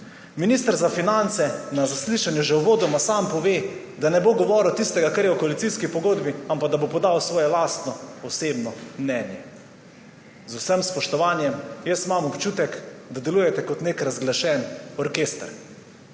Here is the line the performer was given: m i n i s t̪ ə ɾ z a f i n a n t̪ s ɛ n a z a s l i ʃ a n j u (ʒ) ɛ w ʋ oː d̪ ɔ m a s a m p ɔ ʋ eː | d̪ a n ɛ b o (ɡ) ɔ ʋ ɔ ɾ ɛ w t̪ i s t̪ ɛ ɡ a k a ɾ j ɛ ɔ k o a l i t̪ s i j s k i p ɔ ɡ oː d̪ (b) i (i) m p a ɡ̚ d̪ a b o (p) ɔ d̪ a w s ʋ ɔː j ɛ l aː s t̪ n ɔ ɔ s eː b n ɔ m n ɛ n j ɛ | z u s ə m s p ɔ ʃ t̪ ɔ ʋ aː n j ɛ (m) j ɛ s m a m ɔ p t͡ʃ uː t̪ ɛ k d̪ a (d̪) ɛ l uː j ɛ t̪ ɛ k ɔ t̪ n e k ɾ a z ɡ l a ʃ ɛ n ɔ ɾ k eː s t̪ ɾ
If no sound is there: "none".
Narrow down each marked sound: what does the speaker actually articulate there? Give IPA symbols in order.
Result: ʒ, ɡ, b, a, p, m, d̪

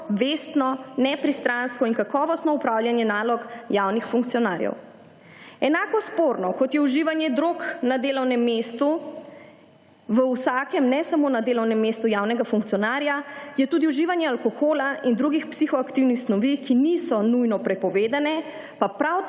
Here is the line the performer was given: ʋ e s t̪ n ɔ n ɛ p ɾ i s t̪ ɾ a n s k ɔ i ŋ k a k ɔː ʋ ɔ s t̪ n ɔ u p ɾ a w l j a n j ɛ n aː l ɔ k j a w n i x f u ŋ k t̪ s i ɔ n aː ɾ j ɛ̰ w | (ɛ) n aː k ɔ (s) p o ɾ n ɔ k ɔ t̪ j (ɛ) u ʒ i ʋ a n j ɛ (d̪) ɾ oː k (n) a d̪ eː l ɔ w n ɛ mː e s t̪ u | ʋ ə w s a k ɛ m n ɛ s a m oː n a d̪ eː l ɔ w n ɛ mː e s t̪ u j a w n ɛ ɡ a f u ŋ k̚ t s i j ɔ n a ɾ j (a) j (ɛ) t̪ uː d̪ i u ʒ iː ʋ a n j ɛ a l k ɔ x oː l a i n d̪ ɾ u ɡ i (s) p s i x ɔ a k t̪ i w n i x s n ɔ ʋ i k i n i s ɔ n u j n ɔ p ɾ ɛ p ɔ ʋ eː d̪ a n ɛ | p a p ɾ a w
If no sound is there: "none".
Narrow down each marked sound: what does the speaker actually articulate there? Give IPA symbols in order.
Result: ɛ, s, ɛ, d̪, n, a, ɛ, x

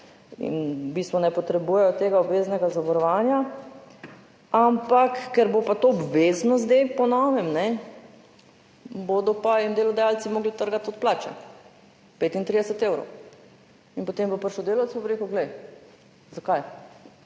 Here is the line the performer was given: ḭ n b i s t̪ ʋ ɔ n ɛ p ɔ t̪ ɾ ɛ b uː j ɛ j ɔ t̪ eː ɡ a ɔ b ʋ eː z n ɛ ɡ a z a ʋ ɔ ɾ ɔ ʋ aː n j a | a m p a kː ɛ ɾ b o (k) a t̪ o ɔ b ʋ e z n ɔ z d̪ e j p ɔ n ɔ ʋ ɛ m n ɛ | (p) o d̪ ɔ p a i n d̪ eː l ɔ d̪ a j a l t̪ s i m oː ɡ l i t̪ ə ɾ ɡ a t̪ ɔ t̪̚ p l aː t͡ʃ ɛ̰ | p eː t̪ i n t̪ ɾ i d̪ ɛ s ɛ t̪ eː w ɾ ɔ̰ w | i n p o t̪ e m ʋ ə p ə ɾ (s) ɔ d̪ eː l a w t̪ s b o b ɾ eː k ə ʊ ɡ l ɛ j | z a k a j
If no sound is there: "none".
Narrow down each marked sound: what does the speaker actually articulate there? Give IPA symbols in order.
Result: p, b, ʃ

